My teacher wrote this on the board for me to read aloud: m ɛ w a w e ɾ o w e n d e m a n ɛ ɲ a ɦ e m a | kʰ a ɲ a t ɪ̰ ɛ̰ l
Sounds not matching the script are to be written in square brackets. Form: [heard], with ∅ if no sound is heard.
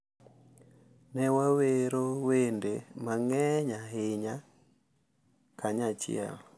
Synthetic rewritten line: [n] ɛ w a w e ɾ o w e n d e m a [ŋ] ɛ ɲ a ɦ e [ɲ] a | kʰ a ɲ a [t͡ʃ] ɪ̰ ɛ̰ l